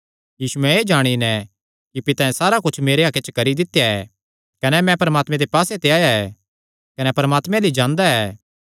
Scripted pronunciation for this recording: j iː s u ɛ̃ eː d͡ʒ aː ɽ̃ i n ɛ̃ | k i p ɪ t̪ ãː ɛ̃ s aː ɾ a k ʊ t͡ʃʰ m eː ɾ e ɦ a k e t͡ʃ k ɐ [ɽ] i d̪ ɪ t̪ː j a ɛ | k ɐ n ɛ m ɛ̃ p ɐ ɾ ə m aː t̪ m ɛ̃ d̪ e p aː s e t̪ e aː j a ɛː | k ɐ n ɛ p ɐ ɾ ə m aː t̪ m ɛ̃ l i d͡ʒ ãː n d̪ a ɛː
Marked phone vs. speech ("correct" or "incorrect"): incorrect